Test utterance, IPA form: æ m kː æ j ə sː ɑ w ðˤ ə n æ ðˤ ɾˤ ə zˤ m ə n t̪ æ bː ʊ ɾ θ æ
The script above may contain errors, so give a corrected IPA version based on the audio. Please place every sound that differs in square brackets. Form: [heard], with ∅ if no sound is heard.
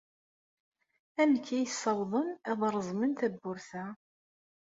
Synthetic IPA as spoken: æ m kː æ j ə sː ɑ w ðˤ ə n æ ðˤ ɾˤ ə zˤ m ə n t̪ æ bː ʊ ɾ θ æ